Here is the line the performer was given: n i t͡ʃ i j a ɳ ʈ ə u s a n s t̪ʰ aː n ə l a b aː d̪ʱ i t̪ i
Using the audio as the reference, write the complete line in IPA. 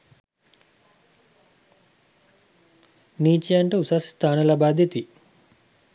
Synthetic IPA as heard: n iː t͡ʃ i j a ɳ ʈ ə u s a s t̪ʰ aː n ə l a b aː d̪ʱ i t̪ i